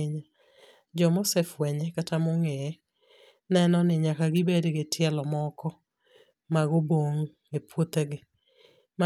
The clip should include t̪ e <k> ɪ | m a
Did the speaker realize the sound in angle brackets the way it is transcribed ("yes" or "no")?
no